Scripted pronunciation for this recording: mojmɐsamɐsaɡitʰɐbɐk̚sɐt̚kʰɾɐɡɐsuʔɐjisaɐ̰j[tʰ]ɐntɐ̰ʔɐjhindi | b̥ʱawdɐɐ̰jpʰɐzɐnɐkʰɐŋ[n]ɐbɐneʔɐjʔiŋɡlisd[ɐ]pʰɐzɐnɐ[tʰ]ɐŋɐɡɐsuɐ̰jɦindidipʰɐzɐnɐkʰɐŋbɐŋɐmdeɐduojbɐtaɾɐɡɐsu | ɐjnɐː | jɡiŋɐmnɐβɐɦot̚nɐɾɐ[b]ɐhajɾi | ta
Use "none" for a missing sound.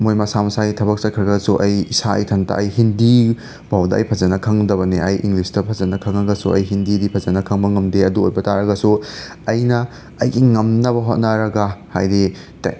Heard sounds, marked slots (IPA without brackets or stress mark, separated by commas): tʰ, d, ɐ, kʰ, ɡ